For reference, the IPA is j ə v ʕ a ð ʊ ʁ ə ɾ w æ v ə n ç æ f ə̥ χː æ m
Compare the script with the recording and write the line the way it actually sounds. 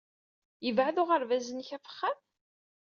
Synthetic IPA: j ə v ʕ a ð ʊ ʁ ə ɾ v æ z ə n ç æ f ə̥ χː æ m